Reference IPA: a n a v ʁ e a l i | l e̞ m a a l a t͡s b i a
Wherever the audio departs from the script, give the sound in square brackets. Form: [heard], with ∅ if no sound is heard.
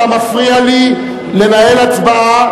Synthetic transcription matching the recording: a [m] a [f] ʁ [i] a l i | l e̞ [n] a [e] l a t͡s b [a] a